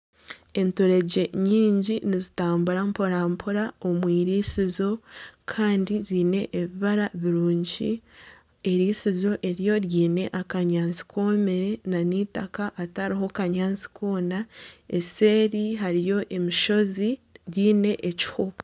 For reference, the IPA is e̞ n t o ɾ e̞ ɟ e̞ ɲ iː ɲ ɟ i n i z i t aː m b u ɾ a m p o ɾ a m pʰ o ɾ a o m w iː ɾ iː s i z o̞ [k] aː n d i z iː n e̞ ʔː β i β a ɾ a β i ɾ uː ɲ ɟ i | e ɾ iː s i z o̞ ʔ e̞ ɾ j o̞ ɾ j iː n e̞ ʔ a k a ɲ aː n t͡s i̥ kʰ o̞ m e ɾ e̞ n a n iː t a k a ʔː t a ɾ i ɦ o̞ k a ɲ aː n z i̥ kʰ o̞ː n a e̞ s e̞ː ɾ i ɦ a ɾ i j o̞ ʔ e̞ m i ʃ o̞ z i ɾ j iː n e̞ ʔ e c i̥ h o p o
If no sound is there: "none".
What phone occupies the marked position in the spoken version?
kʰ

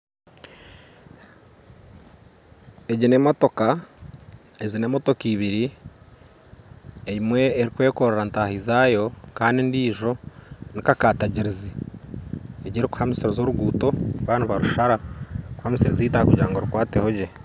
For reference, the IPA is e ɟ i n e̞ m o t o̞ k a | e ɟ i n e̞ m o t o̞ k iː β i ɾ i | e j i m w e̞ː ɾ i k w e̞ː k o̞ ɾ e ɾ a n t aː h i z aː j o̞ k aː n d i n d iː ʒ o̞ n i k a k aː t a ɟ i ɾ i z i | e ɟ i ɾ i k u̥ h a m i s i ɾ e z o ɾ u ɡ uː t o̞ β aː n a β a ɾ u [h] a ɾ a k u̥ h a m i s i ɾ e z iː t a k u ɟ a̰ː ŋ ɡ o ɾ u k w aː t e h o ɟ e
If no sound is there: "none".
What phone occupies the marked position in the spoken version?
ʃ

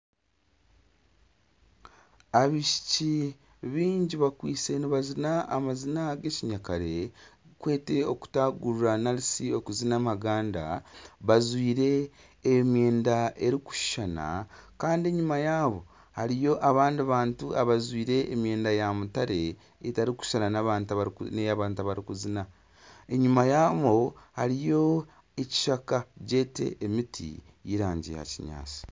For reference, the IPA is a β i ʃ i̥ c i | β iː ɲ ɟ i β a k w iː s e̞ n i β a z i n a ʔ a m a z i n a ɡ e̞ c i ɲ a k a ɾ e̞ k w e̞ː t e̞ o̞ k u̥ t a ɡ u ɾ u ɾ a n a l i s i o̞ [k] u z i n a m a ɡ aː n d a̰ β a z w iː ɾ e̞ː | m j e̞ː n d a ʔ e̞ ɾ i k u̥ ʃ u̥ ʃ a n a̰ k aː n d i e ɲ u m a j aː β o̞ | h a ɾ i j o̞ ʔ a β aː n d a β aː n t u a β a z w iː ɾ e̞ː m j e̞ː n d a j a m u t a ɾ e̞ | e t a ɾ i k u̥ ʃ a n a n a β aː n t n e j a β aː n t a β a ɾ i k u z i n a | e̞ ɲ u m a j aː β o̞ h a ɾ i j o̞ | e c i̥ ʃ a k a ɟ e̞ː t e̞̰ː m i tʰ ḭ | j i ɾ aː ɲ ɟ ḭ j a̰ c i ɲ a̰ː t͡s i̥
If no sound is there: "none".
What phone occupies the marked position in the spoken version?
k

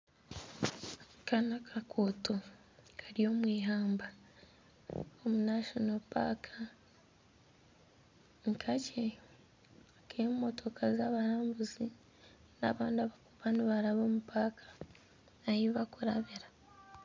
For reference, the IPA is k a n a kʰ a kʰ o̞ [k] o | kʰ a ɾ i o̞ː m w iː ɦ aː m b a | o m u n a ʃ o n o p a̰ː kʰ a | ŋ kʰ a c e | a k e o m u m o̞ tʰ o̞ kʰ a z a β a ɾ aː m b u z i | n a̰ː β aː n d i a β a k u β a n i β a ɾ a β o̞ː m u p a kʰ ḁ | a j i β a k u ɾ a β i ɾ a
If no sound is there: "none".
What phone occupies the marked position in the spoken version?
t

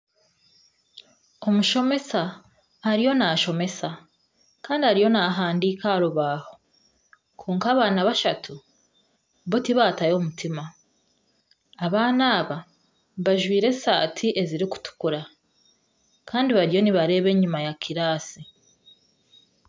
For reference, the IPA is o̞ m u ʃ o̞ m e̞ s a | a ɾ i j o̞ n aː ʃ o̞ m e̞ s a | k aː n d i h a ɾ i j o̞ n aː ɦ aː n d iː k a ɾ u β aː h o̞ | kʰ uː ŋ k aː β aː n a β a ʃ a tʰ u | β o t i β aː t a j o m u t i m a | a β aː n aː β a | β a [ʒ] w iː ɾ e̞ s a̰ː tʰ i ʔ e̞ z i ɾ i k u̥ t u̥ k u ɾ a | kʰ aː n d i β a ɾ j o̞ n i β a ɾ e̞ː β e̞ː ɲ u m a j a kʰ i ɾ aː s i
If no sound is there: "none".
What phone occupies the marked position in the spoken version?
ʒ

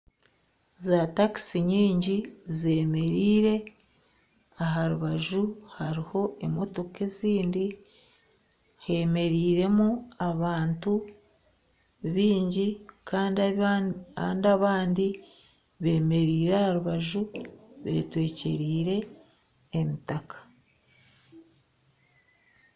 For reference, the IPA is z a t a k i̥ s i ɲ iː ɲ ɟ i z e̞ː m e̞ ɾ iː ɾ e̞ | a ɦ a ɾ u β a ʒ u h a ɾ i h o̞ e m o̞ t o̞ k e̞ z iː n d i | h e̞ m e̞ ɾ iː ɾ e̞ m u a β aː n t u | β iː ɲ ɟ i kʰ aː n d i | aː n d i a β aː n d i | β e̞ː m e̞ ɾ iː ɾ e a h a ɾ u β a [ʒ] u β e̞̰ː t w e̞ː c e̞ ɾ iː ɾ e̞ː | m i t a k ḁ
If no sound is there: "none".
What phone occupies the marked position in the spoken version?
ʒ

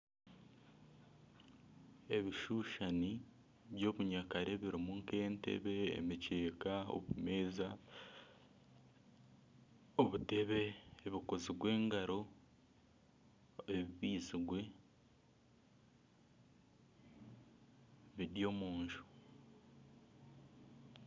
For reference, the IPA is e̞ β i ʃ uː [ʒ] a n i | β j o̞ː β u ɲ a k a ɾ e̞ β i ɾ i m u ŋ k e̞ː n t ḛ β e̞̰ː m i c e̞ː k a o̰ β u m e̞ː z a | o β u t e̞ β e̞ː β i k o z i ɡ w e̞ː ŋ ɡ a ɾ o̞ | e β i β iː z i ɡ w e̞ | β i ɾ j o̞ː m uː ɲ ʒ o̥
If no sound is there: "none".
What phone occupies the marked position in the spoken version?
ʃ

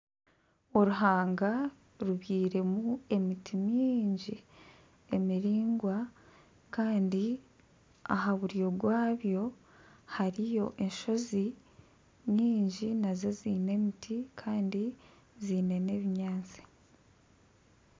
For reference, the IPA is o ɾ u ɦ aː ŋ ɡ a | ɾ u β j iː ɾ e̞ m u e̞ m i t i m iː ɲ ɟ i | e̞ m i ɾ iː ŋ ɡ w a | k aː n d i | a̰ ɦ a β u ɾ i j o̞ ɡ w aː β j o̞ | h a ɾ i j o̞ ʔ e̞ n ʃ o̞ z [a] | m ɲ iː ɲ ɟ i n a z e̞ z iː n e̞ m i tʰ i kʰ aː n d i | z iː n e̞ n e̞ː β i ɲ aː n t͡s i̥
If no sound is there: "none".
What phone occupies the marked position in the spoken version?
i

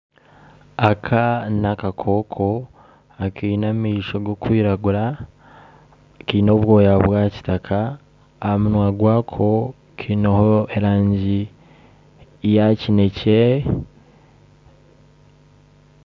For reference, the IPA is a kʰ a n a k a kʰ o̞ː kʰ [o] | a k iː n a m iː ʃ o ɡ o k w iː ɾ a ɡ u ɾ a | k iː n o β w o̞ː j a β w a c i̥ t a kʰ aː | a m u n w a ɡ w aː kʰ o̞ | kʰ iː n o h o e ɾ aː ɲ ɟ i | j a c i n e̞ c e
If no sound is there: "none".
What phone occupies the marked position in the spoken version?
o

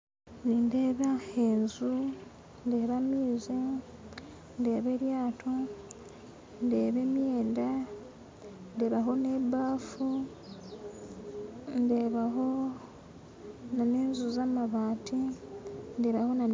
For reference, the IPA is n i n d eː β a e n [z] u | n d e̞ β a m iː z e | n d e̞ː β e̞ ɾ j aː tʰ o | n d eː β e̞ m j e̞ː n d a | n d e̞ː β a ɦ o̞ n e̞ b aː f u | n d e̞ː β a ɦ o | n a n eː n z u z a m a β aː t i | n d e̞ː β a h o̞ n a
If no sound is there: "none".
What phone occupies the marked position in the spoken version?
z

